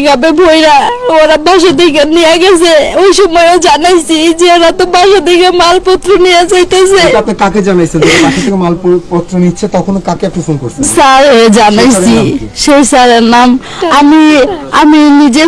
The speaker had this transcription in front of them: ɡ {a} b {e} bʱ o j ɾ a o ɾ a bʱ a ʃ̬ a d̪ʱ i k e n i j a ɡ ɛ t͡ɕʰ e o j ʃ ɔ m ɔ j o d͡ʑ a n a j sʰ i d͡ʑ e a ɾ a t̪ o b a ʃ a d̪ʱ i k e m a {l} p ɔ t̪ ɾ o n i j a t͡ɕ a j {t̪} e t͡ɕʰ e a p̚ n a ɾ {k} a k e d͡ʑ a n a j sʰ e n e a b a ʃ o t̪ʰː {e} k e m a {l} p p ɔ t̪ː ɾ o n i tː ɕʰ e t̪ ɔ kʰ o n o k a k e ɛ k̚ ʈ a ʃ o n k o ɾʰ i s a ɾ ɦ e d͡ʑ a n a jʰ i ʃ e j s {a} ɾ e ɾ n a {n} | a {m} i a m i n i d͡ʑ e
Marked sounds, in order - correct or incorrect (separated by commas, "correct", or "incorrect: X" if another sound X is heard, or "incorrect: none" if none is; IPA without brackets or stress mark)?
correct, correct, correct, correct, correct, correct, correct, correct, incorrect: m, correct